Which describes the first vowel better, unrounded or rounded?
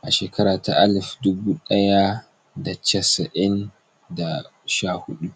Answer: unrounded